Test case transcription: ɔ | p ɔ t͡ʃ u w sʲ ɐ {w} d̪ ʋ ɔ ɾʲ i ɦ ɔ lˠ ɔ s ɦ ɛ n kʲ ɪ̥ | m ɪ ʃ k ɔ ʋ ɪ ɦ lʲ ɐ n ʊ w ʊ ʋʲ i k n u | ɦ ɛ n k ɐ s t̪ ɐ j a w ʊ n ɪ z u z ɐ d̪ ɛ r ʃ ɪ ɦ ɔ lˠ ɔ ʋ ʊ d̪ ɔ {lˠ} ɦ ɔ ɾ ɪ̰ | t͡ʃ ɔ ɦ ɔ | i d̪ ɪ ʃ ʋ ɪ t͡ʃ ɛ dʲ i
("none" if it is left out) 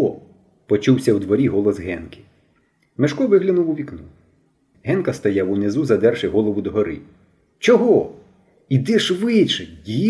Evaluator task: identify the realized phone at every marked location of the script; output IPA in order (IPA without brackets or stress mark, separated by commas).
w, none